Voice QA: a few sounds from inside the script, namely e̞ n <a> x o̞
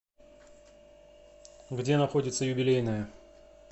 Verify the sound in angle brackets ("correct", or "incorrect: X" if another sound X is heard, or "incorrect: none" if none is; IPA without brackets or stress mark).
incorrect: ɐ